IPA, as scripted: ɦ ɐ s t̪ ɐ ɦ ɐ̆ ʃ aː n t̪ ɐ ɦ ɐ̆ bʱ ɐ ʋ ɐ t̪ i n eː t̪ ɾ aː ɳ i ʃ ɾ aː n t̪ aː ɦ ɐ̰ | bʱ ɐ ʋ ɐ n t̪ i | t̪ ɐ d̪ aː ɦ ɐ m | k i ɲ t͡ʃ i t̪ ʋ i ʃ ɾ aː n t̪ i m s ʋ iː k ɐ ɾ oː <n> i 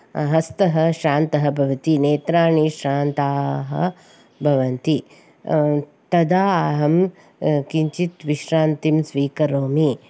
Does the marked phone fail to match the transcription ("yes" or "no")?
yes